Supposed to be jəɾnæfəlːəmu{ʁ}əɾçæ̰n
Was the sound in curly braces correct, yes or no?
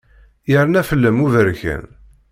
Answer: no